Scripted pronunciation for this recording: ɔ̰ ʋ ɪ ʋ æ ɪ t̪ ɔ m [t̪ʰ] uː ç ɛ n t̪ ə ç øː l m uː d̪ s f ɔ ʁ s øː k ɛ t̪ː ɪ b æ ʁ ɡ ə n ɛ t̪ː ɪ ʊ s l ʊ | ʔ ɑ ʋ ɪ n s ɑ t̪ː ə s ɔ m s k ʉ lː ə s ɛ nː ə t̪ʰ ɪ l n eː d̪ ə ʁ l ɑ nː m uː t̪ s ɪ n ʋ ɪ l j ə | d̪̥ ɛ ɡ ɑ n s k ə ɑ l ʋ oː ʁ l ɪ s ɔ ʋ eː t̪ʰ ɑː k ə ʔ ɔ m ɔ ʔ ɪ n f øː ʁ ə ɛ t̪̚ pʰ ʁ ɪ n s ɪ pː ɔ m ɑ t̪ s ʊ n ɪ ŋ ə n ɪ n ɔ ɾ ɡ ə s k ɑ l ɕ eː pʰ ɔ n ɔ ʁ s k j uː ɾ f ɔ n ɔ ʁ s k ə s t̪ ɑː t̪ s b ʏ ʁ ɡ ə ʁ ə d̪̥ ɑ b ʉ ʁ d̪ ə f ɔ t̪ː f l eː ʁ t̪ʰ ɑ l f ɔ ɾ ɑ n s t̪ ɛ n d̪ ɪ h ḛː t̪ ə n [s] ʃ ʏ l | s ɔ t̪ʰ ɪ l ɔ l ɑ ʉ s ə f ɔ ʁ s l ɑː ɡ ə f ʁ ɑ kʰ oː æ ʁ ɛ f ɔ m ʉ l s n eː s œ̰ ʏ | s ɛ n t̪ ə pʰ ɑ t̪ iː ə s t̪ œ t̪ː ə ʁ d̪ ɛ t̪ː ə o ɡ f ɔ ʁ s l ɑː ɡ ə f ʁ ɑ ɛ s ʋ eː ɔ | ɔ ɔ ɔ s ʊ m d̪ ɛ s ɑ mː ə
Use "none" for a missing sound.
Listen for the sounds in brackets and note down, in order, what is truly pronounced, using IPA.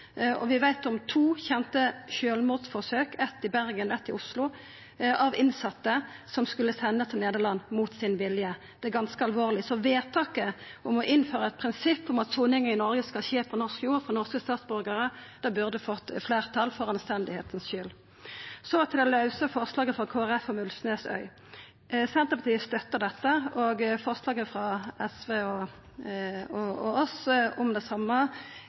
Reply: t̪ʰ, s

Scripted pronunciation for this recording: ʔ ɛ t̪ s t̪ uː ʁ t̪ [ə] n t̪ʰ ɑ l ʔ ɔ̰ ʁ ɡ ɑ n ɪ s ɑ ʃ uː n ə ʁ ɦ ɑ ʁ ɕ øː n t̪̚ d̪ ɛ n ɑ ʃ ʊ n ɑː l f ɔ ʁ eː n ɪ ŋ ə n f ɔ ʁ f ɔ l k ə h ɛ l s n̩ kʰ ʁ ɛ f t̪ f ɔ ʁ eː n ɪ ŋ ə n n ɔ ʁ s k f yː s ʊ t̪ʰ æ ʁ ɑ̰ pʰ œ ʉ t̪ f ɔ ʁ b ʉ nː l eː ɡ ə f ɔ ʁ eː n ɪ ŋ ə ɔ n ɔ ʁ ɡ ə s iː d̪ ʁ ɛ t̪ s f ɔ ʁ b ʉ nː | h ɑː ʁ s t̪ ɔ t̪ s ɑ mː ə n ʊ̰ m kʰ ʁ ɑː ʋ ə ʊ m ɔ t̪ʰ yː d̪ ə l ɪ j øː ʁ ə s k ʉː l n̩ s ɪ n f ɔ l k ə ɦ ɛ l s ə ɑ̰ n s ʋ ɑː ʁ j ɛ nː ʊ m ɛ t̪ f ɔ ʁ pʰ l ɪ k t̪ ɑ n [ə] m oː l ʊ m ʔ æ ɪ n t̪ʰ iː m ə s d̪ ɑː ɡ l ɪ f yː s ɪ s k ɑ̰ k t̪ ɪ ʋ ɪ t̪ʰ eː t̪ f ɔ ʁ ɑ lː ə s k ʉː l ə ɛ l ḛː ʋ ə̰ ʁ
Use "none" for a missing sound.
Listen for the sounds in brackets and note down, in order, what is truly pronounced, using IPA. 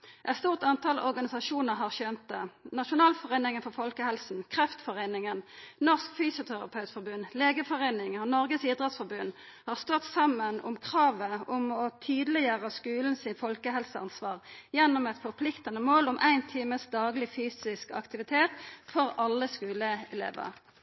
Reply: ɑ, ə

